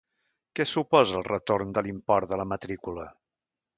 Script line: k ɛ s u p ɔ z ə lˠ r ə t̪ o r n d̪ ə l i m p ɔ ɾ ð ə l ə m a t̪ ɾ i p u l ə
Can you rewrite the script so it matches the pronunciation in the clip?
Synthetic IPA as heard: k ɛ s u p ɔ z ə lˠ r ə t̪ o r n d̪ ə l i m p ɔ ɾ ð ə l ə m ə t̪ ɾ i k u l ə